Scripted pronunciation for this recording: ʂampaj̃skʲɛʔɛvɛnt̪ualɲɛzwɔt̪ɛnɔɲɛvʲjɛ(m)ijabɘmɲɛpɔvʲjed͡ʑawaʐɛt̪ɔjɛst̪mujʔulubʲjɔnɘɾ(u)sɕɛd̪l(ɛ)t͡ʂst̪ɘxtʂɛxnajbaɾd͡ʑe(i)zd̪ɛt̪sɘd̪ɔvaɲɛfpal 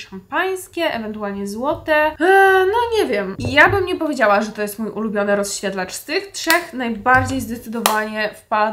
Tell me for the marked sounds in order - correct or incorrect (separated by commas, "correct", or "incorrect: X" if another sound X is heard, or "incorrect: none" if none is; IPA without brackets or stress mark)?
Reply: correct, incorrect: ɔ, incorrect: a, incorrect: j